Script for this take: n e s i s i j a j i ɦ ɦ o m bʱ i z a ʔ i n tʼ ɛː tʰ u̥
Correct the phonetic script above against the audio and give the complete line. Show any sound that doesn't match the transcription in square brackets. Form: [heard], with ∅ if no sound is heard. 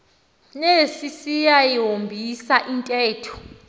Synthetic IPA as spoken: n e s i s i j a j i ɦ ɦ o m bʱ i [s] a ʔ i n tʼ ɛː tʰ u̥

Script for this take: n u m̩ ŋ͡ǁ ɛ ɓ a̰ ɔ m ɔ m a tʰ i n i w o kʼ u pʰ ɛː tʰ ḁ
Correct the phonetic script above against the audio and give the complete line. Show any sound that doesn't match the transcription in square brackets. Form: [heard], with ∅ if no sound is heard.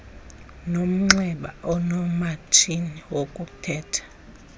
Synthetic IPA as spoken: n [o] m̩ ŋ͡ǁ ɛ ɓ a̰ ɔ [n] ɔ m a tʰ i n i w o kʼ u [tʰ] ɛː tʰ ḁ

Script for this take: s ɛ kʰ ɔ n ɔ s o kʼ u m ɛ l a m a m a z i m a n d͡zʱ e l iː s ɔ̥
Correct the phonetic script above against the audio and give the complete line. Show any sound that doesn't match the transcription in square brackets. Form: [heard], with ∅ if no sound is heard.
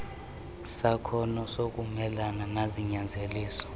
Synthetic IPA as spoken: s [a] kʰ ɔ n ɔ s o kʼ u m ɛ l a [n] a [n] a z i [ɲ] a n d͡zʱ e l iː s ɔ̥

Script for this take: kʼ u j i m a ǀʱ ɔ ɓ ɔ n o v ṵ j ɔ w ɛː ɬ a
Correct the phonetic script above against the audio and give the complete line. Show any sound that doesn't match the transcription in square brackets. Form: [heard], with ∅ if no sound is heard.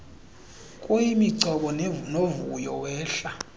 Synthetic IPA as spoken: kʼ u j i m [i] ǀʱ ɔ ɓ ɔ n o v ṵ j ɔ w ɛː ɬ a

